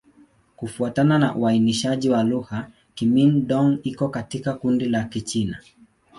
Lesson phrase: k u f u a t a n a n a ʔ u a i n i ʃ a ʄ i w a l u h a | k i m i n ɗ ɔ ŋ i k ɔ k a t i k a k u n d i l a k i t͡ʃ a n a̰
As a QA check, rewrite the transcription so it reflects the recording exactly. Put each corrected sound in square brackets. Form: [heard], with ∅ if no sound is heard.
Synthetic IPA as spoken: k u f u a t a n a n a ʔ u a i n i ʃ a ʄ i w a l u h a | k i m i n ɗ ɔ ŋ i k ɔ k a t i k a k u n d i l a k i t͡ʃ [i] n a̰